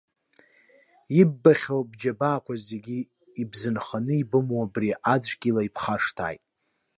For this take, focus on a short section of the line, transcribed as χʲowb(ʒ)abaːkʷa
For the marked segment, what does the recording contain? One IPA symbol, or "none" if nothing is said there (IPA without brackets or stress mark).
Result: d͡ʒ